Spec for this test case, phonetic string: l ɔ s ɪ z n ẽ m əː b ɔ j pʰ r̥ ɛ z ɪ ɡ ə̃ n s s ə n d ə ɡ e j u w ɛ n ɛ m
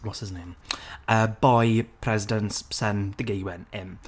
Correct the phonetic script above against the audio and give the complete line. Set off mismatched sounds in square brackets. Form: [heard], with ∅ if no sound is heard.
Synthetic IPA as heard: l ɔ s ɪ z n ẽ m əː b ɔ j pʰ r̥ ɛ z ɪ [d] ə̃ n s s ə n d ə ɡ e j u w ɛ n ɛ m